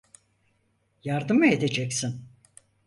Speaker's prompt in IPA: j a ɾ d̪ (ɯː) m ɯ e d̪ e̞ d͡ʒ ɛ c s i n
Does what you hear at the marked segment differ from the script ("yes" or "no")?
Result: yes